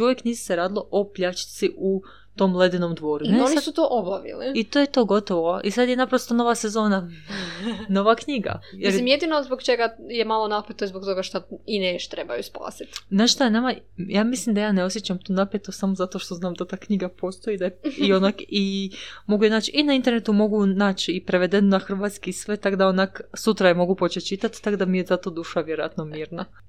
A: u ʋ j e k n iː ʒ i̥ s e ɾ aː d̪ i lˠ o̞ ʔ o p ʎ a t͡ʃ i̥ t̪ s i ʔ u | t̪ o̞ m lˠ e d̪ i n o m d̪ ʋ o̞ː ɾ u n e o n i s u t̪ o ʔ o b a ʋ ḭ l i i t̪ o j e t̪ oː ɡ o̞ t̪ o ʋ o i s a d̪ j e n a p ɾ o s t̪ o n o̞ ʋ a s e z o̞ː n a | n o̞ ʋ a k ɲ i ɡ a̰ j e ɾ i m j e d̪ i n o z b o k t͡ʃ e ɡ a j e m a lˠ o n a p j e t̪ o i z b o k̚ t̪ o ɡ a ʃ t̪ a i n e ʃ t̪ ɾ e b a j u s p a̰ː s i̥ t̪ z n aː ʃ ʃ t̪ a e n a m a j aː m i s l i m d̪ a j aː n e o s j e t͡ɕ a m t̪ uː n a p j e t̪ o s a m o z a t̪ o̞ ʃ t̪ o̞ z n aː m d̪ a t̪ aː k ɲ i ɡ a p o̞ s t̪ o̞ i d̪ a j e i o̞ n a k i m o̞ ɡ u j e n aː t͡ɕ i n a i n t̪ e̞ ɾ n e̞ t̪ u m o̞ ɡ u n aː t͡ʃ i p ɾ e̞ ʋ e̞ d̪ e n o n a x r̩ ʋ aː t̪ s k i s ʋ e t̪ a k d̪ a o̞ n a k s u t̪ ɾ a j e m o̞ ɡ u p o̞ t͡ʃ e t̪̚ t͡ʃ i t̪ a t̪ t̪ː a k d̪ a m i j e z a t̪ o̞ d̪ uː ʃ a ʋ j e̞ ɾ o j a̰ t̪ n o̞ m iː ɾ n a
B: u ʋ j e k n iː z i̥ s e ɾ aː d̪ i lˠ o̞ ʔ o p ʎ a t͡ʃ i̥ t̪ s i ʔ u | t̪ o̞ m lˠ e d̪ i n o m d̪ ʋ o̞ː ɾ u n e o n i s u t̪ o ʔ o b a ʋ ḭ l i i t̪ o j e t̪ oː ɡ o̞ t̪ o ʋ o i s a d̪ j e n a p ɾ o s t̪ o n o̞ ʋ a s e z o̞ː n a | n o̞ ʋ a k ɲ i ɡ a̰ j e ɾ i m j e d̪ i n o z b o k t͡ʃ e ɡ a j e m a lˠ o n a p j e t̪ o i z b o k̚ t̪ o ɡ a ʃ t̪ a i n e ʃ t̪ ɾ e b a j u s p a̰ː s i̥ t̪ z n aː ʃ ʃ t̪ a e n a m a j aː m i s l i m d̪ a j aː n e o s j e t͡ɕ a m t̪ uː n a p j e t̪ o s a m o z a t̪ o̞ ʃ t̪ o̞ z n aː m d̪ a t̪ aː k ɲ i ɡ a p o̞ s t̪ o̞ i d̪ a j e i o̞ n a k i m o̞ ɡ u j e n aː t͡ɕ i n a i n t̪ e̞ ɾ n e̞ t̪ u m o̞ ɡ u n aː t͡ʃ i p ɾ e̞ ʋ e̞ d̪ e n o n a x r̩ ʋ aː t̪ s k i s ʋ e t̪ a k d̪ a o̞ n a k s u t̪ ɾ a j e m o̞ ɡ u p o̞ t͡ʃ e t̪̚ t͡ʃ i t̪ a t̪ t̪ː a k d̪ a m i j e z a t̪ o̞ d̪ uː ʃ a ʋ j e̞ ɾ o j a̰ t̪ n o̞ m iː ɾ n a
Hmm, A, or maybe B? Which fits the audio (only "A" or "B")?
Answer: B